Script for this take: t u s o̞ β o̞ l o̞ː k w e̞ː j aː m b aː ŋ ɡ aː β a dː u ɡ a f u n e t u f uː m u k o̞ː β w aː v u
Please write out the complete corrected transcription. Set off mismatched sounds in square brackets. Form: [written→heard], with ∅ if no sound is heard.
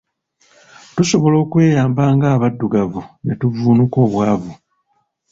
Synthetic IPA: t u s o̞ β o̞ l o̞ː k w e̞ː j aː m b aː ŋ ɡ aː β a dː u ɡ a [f→v] u n e t u [f→v] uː [m→n] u k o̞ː β w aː v u